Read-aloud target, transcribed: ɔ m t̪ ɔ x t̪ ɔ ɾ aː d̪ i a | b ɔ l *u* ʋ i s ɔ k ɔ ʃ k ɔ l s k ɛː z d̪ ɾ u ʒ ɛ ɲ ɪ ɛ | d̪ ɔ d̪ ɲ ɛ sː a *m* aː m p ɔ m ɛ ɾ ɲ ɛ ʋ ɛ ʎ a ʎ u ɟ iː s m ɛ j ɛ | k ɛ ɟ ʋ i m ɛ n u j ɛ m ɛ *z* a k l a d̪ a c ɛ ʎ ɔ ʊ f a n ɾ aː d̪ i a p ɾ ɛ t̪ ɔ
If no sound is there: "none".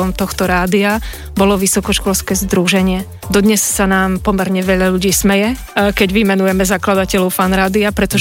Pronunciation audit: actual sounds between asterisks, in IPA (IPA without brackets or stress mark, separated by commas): ɔ, n, z